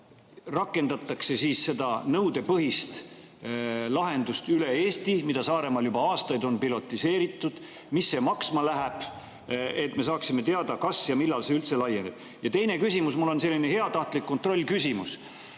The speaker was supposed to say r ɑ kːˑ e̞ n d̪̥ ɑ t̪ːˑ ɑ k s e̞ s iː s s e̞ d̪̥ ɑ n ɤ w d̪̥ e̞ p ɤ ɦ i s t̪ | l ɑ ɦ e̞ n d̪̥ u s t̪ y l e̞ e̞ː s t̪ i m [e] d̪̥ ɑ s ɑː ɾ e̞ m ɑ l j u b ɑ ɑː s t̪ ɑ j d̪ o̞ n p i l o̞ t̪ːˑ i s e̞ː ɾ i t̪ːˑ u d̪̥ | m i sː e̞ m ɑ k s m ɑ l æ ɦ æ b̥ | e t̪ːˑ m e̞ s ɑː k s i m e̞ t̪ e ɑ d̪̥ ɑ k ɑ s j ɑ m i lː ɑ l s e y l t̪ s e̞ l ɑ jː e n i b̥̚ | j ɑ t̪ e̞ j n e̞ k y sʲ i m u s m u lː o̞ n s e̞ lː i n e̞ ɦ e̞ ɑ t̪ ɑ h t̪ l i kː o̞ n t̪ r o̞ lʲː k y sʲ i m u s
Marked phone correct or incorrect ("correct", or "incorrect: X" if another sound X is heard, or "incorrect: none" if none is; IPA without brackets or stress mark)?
incorrect: i